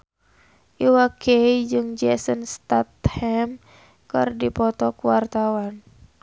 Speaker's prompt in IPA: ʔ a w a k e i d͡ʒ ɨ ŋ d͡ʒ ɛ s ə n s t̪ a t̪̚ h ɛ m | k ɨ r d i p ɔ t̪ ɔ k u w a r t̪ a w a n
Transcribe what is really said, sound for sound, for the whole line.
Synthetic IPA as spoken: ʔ i w a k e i d͡ʒ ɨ ŋ d͡ʒ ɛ s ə n s t̪ a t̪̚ h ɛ m | k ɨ r d i p ɔ t̪ ɔ k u w a r t̪ a w a n